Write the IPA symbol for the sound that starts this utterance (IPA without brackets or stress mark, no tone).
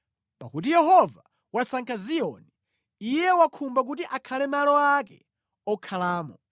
p